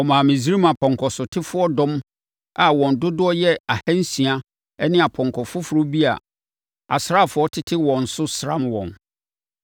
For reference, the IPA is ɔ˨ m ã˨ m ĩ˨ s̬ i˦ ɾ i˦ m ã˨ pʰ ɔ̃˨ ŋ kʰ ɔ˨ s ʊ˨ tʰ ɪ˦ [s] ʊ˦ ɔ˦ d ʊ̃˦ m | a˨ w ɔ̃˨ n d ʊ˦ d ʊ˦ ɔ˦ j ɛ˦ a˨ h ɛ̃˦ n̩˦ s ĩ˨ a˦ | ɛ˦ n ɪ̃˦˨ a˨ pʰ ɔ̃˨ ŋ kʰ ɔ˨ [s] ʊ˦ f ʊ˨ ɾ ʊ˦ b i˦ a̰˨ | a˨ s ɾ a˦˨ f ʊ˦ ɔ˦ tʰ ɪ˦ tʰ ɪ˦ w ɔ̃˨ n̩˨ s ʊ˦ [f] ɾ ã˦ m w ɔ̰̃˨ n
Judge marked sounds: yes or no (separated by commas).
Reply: no, no, no